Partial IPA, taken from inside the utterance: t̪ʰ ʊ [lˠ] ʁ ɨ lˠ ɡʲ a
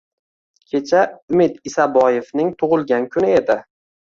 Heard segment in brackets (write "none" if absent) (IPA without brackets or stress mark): none